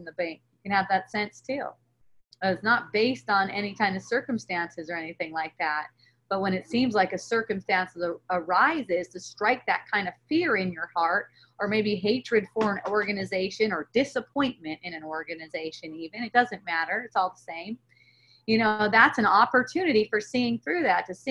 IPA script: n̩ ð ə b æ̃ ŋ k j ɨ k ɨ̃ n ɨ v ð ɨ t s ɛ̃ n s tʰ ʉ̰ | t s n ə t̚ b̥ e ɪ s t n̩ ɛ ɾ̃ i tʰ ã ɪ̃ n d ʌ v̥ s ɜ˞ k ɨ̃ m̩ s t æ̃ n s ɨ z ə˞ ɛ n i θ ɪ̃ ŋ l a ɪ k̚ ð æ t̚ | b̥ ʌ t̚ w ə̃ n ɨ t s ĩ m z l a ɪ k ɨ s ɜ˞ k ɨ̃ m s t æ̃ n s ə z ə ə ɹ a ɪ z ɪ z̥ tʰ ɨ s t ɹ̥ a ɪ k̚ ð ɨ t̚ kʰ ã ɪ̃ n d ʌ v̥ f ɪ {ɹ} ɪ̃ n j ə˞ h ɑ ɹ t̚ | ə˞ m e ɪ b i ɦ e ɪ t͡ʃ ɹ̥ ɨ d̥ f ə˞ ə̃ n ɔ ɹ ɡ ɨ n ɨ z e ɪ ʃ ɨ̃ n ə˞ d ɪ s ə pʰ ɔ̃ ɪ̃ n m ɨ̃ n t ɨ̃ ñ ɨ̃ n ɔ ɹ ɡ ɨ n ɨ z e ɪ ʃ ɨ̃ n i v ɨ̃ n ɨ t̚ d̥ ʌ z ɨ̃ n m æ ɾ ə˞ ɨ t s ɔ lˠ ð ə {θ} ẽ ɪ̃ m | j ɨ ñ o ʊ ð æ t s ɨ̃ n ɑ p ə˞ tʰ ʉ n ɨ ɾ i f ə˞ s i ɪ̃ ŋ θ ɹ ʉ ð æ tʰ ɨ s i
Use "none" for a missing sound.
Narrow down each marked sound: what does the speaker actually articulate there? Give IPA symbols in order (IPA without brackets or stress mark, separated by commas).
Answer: ɹ, s